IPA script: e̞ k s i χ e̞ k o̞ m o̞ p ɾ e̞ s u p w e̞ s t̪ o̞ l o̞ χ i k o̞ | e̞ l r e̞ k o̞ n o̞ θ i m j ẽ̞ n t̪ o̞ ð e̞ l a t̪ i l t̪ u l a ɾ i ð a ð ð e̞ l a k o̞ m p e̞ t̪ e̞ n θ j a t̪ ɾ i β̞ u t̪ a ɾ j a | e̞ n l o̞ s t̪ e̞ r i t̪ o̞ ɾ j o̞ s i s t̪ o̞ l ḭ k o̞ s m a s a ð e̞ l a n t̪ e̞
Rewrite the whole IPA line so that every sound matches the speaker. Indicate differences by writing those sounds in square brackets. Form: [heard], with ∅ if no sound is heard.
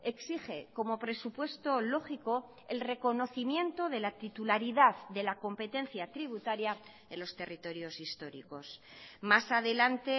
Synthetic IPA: e̞ k s i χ e̞ k o̞ m o̞ p ɾ e̞ s u p w e̞ s t̪ o̞ l o̞ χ i k o̞ | e̞ l r e̞ k o̞ n o̞ θ i m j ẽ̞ n t̪ o̞ ð e̞ l a t̪ i [∅] t̪ u l a ɾ i ð a ð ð e̞ l a k o̞ m p e̞ t̪ e̞ n θ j a t̪ ɾ i β̞ u t̪ a ɾ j a | e̞ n l o̞ s t̪ e̞ r i t̪ o̞ ɾ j o̞ s i s t̪ o̞ [ɾ] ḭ k o̞ s m a s a ð e̞ l a n t̪ e̞